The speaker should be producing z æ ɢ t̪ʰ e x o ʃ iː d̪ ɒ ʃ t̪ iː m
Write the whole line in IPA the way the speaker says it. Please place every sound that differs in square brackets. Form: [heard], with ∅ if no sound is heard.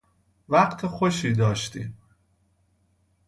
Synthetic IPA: [v] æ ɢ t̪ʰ e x o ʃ iː d̪ [ɒː] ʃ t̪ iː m

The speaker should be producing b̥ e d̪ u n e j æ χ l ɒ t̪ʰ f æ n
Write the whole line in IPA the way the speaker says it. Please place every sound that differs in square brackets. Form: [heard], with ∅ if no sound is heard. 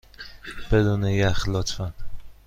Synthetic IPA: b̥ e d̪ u n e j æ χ l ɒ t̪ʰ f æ n

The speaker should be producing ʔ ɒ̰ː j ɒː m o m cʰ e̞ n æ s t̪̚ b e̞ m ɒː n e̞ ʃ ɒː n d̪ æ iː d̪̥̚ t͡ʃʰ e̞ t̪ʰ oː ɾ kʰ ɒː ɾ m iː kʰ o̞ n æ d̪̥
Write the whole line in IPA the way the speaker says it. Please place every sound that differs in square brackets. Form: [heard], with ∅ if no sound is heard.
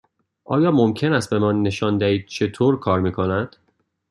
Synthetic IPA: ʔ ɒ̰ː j ɒː m o m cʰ e̞ n æ s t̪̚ b e̞ m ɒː [nː] e̞ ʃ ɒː n d̪ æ iː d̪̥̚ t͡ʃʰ e̞ t̪ʰ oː ɾ kʰ ɒː ɾ m iː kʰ o̞ n æ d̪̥

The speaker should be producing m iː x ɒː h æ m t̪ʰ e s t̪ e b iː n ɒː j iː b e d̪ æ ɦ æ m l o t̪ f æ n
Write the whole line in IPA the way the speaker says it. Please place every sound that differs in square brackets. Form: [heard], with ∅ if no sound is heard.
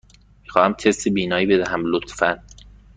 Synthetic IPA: m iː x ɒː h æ m t̪ʰ e s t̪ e b iː n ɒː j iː b e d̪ æ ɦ æ m l o t̪ f æ n

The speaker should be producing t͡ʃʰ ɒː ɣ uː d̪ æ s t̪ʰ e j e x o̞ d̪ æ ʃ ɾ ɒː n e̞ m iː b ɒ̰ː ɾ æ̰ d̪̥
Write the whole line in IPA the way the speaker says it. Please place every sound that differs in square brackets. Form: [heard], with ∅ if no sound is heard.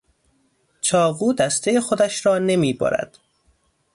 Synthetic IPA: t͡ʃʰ ɒː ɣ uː d̪ æ s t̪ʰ e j e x o̞ d̪ æ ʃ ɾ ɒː n e̞ m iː b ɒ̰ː ɾ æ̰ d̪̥

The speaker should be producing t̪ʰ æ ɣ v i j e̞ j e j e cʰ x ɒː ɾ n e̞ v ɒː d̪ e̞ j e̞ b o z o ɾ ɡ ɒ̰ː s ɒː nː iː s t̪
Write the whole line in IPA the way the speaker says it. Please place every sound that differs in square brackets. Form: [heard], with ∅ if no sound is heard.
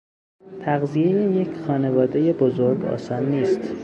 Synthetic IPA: t̪ʰ æ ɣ [z] i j e̞ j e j e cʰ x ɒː [∅] n e̞ v ɒː d̪ e̞ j e̞ b o z o ɾ ɡ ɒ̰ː s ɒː nː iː s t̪

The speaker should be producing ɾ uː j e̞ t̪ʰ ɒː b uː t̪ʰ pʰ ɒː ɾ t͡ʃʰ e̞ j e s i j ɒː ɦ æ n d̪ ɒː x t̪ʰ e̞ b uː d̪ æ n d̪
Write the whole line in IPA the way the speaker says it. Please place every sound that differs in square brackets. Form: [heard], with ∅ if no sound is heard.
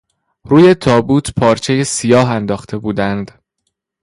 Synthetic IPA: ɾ uː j e̞ t̪ʰ ɒː b uː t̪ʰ pʰ ɒː ɾ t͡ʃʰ e̞ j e s i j ɒː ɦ æ n d̪ ɒː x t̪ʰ e̞ b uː d̪ æ n d̪

